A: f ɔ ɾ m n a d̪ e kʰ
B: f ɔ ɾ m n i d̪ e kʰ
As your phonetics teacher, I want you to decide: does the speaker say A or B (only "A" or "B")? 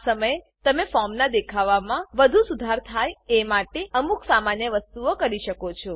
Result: A